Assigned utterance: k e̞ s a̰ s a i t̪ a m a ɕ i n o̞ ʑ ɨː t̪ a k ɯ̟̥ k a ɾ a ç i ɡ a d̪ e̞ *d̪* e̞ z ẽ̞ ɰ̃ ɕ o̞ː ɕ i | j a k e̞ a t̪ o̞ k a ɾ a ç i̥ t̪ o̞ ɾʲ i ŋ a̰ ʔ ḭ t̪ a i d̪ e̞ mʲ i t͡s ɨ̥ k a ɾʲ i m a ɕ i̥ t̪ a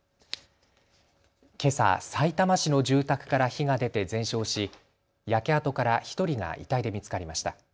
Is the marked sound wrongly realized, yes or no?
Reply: yes